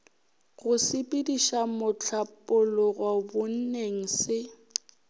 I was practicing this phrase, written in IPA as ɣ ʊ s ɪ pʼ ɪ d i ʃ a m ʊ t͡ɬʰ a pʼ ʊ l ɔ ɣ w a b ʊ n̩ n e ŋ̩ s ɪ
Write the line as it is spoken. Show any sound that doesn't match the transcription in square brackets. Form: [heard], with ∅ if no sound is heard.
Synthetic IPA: ɣ ʊ s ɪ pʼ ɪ d i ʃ a m ʊ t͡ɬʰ a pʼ ʊ l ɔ ɣ w a b ʊ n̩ n e ŋ̩ s ɪ